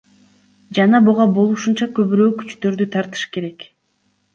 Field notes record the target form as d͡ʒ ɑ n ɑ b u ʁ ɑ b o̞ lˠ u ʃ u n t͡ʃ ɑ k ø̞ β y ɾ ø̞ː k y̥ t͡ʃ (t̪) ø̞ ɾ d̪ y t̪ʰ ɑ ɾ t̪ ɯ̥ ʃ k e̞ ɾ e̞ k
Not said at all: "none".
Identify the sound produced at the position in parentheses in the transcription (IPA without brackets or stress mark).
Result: t̪